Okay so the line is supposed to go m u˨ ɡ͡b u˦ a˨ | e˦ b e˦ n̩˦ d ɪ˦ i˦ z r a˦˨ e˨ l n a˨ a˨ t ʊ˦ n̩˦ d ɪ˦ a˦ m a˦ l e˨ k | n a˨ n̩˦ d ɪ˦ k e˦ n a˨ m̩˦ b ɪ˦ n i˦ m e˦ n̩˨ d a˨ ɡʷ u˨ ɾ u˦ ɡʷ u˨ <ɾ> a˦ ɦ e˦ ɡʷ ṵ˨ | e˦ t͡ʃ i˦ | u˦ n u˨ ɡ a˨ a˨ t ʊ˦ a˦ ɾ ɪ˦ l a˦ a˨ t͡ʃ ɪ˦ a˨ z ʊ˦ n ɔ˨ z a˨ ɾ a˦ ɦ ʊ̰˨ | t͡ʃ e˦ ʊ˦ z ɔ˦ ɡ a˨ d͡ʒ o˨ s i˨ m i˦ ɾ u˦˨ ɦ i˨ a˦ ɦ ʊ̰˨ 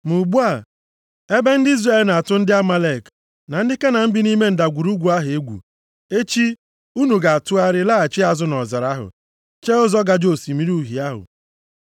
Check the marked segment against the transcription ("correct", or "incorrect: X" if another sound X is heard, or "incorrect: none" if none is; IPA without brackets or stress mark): incorrect: none